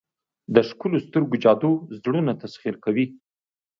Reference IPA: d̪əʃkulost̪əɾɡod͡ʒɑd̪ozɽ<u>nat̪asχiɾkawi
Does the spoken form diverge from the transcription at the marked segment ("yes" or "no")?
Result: no